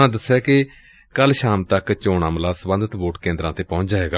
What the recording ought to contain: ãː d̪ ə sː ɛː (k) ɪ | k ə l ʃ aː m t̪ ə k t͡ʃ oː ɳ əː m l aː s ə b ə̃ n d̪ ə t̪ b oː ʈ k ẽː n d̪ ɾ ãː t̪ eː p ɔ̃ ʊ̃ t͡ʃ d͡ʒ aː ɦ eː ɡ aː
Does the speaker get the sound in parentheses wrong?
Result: no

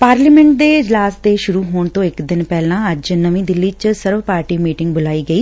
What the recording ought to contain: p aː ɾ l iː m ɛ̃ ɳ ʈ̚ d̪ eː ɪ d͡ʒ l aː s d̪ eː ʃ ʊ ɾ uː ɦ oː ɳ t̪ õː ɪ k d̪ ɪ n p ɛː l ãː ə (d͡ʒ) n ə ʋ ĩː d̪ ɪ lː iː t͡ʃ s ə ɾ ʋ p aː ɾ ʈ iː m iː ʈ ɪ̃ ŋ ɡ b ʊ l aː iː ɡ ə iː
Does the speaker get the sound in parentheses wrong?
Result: no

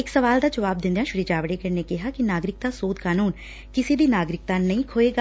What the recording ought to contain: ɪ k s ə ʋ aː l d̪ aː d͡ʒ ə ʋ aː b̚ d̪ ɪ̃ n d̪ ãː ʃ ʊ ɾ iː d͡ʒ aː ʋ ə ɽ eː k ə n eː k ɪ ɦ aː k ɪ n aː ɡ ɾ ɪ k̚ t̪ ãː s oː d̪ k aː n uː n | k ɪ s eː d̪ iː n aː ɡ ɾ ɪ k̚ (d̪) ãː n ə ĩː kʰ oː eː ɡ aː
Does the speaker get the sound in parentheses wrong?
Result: yes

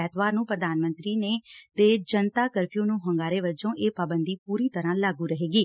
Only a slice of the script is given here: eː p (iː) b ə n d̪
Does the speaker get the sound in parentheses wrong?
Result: yes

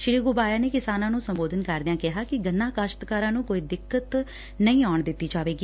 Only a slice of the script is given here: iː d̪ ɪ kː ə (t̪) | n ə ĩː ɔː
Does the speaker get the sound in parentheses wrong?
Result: no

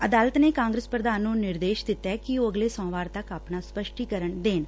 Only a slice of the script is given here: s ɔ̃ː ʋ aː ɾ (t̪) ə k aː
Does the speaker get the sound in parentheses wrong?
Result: no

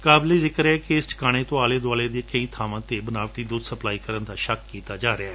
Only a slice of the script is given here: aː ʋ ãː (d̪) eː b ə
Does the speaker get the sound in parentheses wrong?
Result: yes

